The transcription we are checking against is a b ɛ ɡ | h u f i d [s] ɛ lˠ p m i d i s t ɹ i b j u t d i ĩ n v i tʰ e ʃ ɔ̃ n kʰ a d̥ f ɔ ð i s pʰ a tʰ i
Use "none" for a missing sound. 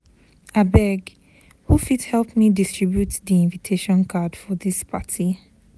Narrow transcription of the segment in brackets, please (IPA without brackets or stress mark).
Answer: h